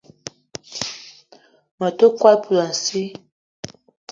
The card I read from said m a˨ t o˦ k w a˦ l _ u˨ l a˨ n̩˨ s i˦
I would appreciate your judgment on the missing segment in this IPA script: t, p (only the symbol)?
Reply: p